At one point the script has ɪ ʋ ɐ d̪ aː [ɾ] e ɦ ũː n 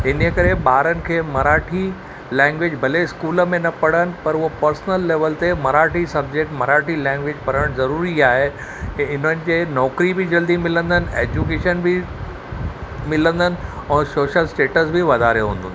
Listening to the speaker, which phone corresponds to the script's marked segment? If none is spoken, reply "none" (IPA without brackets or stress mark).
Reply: ɾ